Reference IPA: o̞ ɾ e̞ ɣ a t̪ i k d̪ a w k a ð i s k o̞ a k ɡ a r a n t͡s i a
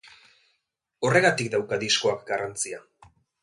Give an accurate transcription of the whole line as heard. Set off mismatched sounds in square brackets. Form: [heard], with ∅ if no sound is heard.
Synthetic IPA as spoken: o̞ [r] e̞ ɣ a t̪ i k d̪ a w k a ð i s k o̞ a k ɡ a r a n t͡s i a